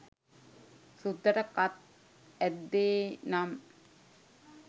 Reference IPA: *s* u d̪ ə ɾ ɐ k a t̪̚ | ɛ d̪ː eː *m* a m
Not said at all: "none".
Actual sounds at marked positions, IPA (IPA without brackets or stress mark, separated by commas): s, n